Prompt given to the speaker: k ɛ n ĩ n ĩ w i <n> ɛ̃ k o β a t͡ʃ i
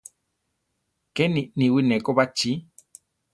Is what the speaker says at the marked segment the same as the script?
yes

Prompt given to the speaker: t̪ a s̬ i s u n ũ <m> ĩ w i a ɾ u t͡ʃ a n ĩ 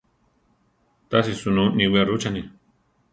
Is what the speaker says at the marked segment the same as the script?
no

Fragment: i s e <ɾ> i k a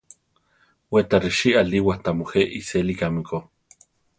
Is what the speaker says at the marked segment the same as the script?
no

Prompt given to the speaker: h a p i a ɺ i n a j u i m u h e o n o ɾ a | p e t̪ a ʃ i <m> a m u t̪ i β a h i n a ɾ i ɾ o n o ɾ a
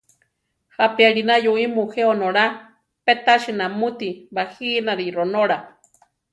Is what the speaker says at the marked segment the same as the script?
no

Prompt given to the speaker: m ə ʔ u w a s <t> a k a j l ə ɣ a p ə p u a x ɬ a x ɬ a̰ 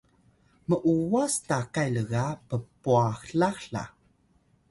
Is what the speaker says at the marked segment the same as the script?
yes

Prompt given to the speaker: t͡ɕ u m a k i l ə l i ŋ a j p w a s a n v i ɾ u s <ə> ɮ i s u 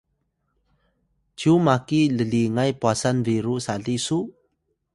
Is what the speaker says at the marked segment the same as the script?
no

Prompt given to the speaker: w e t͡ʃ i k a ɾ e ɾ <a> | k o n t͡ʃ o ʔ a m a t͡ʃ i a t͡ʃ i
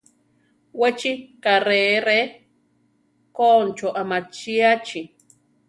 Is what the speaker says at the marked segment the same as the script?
no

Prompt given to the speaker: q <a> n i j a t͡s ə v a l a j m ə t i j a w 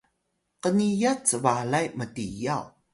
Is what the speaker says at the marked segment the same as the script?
no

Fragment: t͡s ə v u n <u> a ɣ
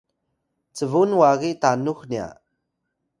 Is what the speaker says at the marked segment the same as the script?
no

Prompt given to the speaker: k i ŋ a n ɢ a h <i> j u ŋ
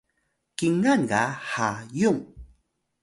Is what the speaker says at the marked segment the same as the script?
no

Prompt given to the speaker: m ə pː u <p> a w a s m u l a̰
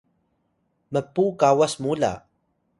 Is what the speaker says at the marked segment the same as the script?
no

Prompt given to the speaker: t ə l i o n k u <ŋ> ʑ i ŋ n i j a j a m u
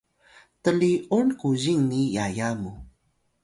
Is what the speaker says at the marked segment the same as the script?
no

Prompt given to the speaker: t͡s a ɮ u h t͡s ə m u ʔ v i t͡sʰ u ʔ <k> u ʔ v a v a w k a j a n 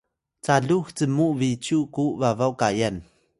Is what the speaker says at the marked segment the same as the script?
yes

